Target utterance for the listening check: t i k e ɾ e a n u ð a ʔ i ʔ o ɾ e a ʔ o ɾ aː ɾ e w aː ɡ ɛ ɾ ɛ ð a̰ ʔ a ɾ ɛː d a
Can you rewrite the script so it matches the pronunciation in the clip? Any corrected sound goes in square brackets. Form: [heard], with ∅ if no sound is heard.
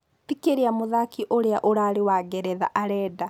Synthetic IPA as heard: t i k e ɾ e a [m] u ð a [k] i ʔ o ɾ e a ʔ o ɾ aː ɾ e w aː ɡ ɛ ɾ ɛ ð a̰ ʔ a ɾ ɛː d a

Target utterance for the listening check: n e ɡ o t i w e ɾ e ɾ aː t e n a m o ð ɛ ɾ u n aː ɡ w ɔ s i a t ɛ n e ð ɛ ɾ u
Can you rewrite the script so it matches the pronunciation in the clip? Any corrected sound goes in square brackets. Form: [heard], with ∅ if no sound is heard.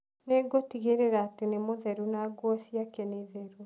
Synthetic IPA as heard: n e ɡ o t i [ɣ] e ɾ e ɾ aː t e n [e] m o ð ɛ ɾ u n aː ɡ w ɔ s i a [k] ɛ n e ð ɛ ɾ u

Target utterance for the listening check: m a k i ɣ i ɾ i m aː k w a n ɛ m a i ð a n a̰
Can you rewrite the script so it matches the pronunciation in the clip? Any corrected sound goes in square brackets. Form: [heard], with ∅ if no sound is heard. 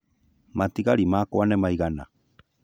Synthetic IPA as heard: m a [t] i ɣ [a] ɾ i m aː k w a n ɛ m a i [ɣ] a n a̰

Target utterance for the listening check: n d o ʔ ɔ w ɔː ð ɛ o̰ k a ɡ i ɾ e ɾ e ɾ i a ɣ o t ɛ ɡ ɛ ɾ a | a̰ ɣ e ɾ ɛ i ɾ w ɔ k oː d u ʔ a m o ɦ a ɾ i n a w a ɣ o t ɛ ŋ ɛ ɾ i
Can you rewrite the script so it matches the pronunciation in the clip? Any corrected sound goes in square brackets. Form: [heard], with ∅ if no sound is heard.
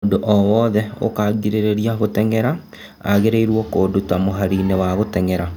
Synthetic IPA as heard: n d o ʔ ɔ w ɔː ð ɛ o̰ k a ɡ i ɾ e ɾ e ɾ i a ɣ o t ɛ [ŋ] ɛ ɾ a | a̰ ɣ e ɾ [e] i ɾ w ɔ k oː d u [t] a m o ɦ a ɾ i n [e] w a ɣ o t ɛ ŋ ɛ ɾ [a]

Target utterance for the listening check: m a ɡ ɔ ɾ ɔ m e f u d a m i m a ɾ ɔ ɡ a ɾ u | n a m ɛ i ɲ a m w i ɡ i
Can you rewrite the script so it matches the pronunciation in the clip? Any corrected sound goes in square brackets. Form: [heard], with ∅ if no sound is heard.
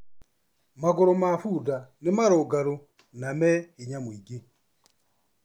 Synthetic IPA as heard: m a ɡ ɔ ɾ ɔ m [a] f u d a [n] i m a ɾ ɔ ɡ a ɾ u | n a m ɛ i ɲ a m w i ɡ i

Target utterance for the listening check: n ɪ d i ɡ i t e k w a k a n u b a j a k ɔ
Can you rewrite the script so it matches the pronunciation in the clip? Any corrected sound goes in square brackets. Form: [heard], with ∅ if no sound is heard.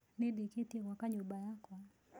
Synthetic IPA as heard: n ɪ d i [k] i t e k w a k a [ɲ] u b a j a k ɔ

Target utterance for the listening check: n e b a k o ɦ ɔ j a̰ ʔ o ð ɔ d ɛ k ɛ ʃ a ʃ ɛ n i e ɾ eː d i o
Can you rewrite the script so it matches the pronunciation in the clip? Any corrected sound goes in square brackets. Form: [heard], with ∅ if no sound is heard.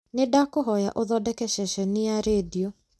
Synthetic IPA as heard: n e [d] a k o ɦ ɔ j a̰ ʔ o ð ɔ d ɛ k ɛ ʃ [ɛ] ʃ ɛ n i [a] ɾ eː d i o

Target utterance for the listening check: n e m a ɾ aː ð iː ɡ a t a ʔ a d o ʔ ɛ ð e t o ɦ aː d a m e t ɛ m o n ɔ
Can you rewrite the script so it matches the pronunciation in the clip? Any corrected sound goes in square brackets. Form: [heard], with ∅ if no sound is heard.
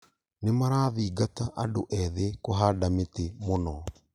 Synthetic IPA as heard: n e m a ɾ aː ð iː ɡ a t a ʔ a d o ʔ ɛ ð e [k] o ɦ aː d a m e t [e] m o n ɔ

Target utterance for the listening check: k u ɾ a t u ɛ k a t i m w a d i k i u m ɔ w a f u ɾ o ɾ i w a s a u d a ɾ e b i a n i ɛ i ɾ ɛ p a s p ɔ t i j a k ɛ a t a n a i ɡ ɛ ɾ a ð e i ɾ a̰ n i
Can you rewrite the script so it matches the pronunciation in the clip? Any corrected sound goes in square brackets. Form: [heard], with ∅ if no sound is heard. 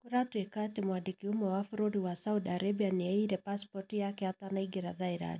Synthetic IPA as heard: k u ɾ a t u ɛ k a t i m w a d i k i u m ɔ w a f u ɾ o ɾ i w a s a u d a ɾ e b i a n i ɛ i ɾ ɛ p a s p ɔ t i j a k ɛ a t a n a i ɡ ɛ ɾ a ð [a] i ɾ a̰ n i

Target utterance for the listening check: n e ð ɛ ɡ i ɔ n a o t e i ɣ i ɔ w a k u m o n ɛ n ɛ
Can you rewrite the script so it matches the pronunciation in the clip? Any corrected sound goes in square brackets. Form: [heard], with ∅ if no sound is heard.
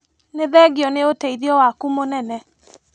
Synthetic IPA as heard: n e ð ɛ ɡ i ɔ n [e] o t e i [ð] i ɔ w a k u m o n ɛ n ɛ

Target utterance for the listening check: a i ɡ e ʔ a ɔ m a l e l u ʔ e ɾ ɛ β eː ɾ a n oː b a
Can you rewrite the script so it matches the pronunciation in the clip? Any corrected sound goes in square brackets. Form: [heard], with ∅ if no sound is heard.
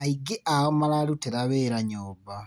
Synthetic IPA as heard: a i ɡ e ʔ a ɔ m a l [a] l u [t] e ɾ [a] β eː ɾ a [ɲ] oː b a

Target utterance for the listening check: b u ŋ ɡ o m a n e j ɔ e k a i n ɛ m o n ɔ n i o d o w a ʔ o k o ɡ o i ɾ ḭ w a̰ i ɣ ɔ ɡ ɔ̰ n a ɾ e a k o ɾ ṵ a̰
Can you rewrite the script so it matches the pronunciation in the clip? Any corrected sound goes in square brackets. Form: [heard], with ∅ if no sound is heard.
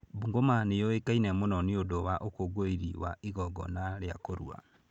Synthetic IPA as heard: b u ŋ ɡ o m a n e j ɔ e k a i n ɛ m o n ɔ n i o d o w a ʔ o k o ɡ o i ɾ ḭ w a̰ i ɣ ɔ ɡ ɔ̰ n a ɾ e a k o ɾ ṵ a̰

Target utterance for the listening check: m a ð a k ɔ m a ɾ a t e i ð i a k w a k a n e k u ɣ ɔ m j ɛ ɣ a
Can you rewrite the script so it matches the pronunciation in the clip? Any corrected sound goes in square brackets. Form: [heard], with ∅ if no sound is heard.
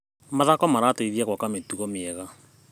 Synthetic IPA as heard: m a ð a k ɔ m a ɾ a t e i ð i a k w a k a [m] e [t] u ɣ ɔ m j ɛ ɣ a

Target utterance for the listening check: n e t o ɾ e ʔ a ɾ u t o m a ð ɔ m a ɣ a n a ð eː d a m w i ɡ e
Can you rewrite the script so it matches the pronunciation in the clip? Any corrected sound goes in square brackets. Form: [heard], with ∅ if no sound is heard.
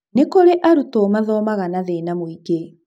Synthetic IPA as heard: n e [k] o ɾ e ʔ a ɾ u t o m a ð ɔ m a ɣ a n a ð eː [n] a m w i ɡ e

